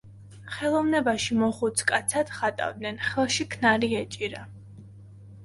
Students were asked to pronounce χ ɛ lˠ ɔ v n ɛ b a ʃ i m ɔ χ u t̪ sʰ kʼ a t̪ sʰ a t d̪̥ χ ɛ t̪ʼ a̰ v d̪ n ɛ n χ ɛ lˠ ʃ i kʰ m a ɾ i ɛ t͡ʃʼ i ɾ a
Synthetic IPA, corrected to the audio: χ ɛ lˠ ɔ v n ɛ b a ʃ i m ɔ χ u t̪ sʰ kʼ a t̪ sʰ a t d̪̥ χ a t̪ʼ a̰ v d̪ n ɛ n χ ɛ lˠ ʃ i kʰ n a ɾ i ɛ t͡ʃʼ i ɾ a